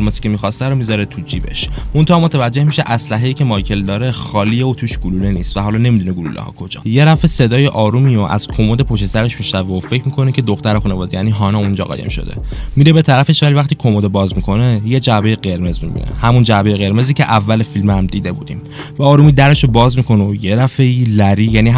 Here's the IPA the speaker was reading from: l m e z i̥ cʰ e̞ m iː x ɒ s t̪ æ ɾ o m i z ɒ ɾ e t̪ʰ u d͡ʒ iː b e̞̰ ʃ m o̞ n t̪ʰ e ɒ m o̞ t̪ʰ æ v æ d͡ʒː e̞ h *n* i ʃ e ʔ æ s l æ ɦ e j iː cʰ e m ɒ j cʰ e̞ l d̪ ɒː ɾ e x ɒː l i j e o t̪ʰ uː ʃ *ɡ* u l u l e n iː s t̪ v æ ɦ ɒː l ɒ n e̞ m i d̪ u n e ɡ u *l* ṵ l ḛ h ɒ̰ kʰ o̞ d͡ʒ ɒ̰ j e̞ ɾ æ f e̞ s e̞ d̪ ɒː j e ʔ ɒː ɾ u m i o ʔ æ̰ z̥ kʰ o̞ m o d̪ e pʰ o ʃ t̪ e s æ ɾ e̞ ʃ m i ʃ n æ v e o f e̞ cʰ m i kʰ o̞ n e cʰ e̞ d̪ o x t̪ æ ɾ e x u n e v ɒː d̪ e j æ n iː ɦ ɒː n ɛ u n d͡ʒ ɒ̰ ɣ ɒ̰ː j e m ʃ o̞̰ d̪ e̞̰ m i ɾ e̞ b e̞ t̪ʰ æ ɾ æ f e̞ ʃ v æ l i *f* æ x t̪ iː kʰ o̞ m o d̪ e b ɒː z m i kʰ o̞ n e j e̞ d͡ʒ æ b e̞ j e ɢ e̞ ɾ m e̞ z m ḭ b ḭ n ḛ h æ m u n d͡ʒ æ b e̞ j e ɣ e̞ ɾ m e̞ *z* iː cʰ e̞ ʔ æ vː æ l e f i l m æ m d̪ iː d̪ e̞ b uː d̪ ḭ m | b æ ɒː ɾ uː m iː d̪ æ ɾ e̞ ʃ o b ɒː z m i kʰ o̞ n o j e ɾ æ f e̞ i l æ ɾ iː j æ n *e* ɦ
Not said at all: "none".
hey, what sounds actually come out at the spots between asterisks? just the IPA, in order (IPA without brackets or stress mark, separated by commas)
m, ɡ, l, v, z, i